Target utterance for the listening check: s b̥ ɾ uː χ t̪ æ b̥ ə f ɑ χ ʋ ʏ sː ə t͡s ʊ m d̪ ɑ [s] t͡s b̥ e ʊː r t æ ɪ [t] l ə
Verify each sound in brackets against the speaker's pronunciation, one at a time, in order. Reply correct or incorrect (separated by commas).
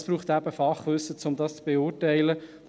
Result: correct, incorrect